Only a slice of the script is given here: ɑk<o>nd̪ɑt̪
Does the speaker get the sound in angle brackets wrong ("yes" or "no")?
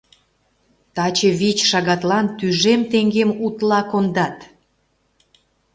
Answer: no